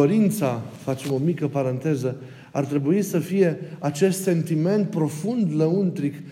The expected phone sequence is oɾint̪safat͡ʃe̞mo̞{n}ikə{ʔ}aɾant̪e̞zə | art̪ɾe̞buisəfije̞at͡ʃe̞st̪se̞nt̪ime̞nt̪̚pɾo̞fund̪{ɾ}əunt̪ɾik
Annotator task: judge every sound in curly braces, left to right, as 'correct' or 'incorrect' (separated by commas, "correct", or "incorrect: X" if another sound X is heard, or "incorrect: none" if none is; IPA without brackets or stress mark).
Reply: incorrect: m, incorrect: p, incorrect: l